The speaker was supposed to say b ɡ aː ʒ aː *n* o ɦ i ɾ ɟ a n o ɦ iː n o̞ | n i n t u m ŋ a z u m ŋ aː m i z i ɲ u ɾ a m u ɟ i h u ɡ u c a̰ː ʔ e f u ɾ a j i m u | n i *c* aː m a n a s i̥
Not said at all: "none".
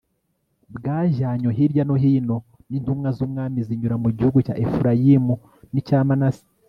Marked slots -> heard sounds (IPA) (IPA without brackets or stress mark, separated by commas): ɲ, c